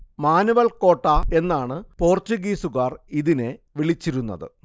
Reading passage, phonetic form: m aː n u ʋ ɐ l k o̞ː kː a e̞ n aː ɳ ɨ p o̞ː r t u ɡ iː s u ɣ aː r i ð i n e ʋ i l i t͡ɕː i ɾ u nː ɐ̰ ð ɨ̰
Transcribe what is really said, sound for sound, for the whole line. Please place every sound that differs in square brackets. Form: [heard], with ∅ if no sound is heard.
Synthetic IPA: m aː n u ʋ ɐ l k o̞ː [ʈː] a e̞ [nː] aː ɳ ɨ p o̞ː r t u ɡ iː s u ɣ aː r i ð i n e ʋ i [ɭ] i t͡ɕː i ɾ u nː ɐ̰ ð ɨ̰